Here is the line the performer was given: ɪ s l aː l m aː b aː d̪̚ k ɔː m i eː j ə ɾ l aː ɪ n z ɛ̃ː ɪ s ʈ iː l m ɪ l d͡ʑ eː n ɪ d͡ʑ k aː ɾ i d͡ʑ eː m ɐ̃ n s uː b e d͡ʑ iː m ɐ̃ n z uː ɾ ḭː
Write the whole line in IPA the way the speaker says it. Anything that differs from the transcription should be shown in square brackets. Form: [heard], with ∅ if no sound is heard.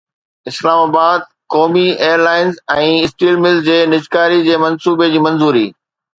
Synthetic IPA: ɪ s l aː [∅] m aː b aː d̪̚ k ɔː m i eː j ə ɾ l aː ɪ n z ɛ̃ː ɪ s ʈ iː l m ɪ l d͡ʑ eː n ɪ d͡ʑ k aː ɾ i d͡ʑ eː m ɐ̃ n s uː b e d͡ʑ iː m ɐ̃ n z uː ɾ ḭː